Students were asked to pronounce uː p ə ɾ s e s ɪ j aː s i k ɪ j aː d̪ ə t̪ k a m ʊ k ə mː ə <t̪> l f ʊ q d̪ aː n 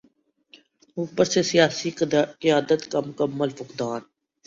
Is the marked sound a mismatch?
yes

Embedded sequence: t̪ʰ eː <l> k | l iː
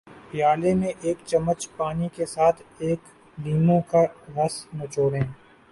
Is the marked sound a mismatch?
yes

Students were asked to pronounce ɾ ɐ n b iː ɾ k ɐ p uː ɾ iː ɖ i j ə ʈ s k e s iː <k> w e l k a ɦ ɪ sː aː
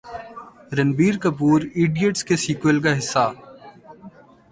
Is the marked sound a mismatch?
no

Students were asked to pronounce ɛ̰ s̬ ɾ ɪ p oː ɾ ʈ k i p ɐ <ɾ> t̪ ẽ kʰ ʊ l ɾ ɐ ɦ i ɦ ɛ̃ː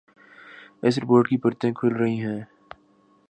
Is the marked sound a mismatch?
no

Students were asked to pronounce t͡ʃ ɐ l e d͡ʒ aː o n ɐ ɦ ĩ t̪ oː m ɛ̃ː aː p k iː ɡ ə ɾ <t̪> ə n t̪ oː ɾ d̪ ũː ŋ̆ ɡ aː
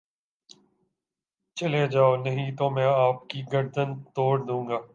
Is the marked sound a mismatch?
yes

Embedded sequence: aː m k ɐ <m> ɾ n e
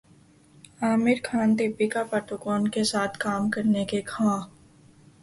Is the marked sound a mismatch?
yes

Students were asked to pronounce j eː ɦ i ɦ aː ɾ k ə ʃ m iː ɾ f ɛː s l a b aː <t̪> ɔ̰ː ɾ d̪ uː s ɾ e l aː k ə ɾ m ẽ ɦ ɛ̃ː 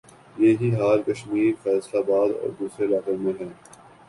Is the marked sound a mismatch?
yes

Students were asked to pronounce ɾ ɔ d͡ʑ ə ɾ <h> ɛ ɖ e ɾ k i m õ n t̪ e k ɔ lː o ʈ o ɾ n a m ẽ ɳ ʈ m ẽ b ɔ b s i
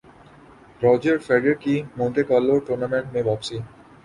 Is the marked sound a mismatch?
yes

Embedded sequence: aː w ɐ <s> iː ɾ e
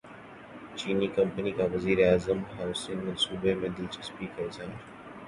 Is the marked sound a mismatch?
yes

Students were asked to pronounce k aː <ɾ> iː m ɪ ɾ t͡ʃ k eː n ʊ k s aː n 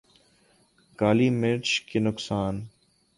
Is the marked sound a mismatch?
yes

